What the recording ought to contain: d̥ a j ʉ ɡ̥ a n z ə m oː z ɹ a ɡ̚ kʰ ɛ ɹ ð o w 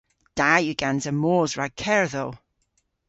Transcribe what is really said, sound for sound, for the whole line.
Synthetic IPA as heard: d̥ a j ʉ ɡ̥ a n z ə m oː z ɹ a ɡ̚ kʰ ɛ ɹ ð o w